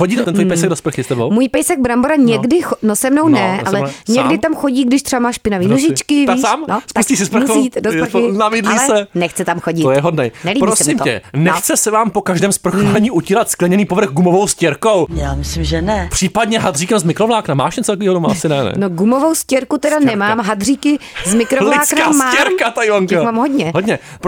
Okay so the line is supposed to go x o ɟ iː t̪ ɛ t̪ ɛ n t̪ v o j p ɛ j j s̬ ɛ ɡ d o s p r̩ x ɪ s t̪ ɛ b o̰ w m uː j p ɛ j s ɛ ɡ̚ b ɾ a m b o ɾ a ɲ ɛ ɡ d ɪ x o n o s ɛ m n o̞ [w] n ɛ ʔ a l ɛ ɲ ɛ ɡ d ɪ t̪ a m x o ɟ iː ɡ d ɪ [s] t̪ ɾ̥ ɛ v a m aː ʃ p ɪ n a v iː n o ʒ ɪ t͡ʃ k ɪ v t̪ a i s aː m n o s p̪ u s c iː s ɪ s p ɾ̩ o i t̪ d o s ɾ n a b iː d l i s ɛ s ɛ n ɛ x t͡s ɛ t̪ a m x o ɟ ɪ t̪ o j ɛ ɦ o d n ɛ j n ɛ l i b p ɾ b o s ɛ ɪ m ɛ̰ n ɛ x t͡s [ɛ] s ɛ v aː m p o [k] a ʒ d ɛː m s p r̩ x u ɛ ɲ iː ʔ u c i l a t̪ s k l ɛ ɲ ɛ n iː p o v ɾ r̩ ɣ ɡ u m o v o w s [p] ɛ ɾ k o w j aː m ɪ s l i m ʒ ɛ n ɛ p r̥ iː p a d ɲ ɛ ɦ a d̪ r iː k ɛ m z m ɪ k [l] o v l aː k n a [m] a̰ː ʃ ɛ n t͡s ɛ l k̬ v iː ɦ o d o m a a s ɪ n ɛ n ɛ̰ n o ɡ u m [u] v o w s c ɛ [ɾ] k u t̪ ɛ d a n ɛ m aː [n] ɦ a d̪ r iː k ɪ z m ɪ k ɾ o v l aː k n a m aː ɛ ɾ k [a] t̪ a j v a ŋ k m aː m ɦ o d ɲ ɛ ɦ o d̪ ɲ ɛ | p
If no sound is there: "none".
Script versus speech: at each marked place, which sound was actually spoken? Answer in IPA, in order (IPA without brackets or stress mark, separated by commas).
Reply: w, ʃ, ɛ, k, c, ɾ, m, o, ɾ, m, a